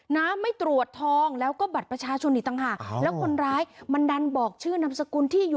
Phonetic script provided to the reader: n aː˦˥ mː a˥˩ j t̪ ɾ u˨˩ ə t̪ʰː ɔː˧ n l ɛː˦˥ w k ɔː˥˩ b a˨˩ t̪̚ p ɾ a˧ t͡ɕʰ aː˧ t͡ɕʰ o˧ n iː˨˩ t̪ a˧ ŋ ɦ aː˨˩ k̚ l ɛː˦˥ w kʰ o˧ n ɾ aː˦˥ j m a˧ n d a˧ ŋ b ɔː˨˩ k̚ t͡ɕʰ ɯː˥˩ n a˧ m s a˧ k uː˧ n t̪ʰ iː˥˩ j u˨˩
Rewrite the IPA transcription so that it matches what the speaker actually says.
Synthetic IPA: n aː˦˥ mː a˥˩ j t̪ ɾ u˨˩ ə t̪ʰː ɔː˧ ŋ l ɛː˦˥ w k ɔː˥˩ b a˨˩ t̪̚ p ɾ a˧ t͡ɕʰ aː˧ t͡ɕʰ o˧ n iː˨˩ t̪ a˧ ŋ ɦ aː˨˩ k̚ l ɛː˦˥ w kʰ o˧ n ɾ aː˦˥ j m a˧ n d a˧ n b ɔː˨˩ k̚ t͡ɕʰ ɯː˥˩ n a˦˥ m s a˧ k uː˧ n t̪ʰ iː˥˩ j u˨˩